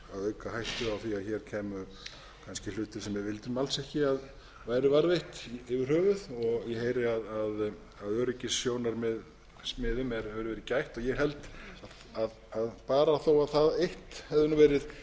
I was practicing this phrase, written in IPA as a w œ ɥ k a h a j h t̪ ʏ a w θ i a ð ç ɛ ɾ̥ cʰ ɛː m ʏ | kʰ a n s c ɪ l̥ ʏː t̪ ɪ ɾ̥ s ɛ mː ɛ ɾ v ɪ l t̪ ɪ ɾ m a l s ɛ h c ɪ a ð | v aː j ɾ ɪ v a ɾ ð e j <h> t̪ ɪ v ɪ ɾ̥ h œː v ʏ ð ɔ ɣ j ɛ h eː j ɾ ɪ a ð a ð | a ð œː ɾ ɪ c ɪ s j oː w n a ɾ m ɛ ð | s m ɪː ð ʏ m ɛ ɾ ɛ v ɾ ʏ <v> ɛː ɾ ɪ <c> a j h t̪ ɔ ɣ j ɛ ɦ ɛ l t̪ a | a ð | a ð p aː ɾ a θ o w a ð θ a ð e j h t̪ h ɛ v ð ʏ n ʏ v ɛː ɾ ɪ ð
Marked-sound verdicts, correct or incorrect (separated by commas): correct, correct, correct